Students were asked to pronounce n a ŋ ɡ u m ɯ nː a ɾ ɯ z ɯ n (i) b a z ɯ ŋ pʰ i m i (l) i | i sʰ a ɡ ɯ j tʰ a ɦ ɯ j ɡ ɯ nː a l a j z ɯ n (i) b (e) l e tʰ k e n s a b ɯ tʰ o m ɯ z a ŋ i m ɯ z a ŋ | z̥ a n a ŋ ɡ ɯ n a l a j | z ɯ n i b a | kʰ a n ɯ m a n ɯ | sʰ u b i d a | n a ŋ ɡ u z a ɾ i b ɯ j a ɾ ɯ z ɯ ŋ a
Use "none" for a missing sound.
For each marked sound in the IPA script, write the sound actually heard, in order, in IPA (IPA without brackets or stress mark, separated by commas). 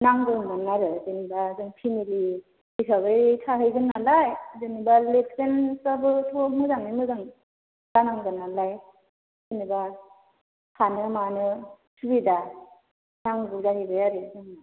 i, l, i, a